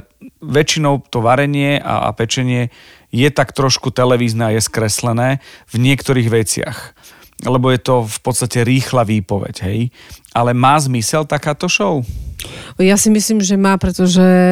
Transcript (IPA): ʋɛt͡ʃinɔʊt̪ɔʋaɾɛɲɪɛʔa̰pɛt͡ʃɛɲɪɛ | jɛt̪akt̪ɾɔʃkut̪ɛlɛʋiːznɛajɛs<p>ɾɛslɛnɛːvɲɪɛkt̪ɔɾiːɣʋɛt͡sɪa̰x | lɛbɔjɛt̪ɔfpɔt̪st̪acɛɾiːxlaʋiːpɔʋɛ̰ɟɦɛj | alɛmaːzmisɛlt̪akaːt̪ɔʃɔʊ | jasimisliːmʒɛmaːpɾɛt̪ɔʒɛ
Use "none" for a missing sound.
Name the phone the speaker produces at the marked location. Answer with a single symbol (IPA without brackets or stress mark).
k